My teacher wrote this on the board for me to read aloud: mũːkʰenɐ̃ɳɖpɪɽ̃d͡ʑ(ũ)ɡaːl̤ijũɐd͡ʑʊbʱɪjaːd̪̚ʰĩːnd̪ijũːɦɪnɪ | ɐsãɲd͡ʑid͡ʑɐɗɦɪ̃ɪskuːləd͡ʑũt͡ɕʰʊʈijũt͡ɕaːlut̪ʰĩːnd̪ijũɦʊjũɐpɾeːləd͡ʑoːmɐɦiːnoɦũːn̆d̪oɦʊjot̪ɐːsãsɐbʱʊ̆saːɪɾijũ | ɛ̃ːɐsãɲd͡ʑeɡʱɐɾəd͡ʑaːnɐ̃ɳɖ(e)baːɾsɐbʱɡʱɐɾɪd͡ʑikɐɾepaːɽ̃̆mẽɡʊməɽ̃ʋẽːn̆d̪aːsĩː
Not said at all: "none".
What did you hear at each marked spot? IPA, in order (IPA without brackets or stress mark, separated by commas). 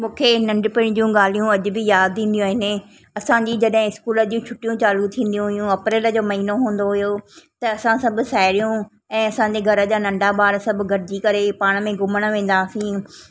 ũ, a